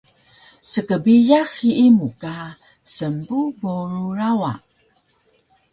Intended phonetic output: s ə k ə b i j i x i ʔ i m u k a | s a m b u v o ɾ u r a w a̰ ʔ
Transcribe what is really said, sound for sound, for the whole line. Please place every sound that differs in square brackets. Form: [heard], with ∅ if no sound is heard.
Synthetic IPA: s ə k ə b i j [a] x i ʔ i m u k a | s [ə] m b u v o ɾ u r a w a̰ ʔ

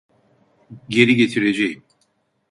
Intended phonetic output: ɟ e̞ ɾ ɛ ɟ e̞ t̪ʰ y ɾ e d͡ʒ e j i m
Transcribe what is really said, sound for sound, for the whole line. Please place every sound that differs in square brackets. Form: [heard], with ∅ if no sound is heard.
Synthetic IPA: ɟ e̞ ɾ [i] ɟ e̞ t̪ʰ [i] ɾ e d͡ʒ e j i m

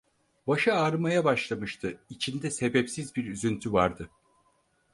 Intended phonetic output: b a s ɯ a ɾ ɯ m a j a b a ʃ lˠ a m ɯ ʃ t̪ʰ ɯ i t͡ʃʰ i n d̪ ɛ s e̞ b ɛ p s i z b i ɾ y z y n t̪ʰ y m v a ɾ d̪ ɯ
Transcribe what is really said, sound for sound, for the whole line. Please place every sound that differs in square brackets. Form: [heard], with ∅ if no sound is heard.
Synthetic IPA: b a [ʃ] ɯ a ɾ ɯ m a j a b a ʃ lˠ a m ɯ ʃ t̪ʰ ɯ i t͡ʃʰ i n d̪ ɛ s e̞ b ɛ p s i z b i ɾ y z y n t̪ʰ y [∅] v a ɾ d̪ ɯ

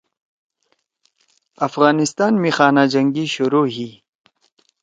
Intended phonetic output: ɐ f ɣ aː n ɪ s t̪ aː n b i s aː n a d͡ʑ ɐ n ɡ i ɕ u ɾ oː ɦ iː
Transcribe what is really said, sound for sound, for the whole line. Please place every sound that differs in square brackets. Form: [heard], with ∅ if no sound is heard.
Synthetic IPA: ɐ f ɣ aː n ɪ s t̪ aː n [m] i [x] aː n a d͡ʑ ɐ [ŋ] ɡ i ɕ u ɾ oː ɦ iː

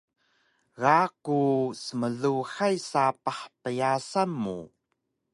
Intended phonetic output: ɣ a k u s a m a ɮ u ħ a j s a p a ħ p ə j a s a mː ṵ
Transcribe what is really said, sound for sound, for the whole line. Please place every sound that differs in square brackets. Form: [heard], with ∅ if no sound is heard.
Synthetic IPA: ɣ a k u s [ə] m [ə] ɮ u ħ a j s a p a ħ p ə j a s a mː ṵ

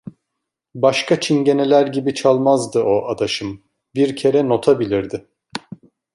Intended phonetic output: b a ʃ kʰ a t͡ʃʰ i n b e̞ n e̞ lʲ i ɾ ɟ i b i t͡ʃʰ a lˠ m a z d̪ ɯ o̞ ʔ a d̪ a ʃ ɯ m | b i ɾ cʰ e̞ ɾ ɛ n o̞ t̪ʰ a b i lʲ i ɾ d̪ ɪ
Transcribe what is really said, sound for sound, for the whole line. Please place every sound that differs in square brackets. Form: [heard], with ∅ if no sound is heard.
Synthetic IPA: b a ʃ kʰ a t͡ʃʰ i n [ɟ] e̞ n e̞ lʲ [æ] ɾ ɟ i b i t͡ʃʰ a lˠ m a z d̪ ɯ o̞ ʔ a d̪ a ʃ ɯ m | b i ɾ cʰ e̞ ɾ ɛ n o̞ t̪ʰ a b i lʲ i ɾ d̪ ɪ

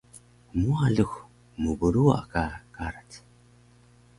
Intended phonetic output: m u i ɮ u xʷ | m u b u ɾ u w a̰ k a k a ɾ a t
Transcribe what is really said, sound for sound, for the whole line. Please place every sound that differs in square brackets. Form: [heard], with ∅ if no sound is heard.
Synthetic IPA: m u [a] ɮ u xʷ | m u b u ɾ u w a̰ k a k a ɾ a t

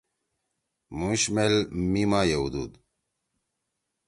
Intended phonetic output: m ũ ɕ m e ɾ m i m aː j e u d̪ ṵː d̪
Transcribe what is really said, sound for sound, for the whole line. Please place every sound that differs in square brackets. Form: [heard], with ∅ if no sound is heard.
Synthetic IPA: m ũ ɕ m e [l] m i m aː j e u d̪ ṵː d̪

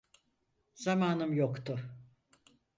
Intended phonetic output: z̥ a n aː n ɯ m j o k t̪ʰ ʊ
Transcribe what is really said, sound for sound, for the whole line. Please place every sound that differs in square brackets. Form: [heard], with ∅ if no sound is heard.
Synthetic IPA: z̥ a [m] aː n ɯ m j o k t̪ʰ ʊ

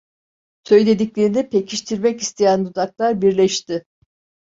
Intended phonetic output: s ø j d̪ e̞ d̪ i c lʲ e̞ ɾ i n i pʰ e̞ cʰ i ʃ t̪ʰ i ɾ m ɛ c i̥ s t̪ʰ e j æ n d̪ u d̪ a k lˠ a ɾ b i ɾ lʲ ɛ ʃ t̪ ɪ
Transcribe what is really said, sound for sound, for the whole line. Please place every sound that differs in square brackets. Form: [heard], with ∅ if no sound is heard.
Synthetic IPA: s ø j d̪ e̞ d̪ i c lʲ e̞ ɾ i n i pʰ e̞ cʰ i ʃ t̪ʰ i ɾ m ɛ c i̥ s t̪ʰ e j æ n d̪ u d̪ a k lˠ a ɾ b i ɾ lʲ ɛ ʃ t̪ ɪ

